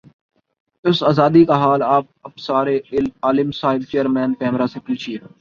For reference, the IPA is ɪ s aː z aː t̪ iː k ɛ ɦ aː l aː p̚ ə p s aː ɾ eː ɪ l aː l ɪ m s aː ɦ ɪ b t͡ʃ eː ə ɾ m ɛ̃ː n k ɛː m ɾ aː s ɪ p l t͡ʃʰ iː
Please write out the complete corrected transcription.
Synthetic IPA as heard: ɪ s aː z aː d̪ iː k a ɦ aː l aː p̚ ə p s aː ɾ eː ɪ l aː l ɪ m s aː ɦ ɪ b t͡ʃ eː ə ɾ m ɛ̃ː n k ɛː m ɾ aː s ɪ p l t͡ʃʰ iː